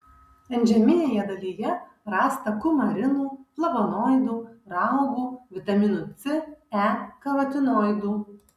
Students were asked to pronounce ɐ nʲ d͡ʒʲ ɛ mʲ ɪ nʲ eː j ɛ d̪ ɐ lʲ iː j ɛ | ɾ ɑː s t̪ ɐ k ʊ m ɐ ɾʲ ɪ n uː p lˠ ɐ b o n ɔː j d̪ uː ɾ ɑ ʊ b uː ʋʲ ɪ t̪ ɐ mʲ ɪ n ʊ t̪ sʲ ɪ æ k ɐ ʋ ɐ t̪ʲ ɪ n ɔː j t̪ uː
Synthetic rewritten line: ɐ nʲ d͡ʒʲ ɛ mʲ ɪ nʲ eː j ɛ d̪ ɐ lʲ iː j ɛ | ɾ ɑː s t̪ ɐ k ʊ m ɐ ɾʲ ɪ n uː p lˠ ɐ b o n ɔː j d̪ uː ɾ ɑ ʊ ɡ uː ʋʲ ɪ t̪ ɐ mʲ ɪ n ʊ t̪ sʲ ɪ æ k ɐ ʋ ɐ t̪ʲ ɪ n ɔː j d̪ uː